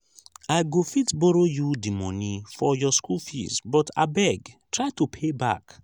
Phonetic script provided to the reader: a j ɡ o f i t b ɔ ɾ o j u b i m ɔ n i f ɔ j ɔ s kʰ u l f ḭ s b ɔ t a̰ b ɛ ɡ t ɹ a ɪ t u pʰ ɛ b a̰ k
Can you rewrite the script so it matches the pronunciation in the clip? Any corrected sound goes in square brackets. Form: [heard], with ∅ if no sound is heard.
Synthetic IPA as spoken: a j ɡ o f i t b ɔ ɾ o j u [d] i m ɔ n i f ɔ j ɔ s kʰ u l f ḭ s b ɔ t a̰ b ɛ ɡ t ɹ a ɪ t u pʰ [e] b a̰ k